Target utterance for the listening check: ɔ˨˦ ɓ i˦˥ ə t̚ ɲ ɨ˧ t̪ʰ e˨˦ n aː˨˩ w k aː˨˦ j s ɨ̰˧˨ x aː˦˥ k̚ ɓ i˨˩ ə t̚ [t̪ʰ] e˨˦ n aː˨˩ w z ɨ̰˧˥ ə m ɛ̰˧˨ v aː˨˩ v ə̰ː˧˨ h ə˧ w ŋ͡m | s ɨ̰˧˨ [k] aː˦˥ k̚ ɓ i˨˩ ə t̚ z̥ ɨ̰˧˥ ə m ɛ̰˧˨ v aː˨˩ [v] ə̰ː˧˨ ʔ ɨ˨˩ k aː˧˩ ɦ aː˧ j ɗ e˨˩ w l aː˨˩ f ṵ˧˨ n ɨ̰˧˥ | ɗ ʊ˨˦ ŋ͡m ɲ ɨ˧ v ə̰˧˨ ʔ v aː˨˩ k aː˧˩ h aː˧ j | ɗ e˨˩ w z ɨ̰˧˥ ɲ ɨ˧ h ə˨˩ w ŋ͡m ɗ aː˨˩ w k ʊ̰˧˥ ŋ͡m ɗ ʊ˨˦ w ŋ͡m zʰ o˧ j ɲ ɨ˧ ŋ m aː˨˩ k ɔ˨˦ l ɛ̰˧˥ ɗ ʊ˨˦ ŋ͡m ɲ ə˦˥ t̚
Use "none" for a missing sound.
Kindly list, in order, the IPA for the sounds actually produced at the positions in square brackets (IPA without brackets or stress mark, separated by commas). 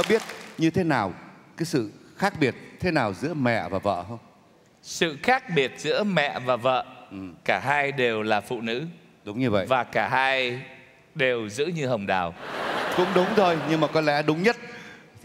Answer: t̪ʰ, x, v